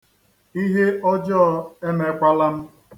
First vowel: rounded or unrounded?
unrounded